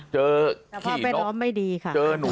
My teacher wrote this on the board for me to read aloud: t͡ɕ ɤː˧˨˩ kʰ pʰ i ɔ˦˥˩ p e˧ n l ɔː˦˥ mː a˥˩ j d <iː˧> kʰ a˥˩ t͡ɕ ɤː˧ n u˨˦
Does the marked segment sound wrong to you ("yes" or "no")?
no